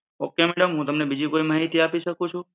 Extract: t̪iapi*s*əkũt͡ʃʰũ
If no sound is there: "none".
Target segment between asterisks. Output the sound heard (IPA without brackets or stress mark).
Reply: ʃ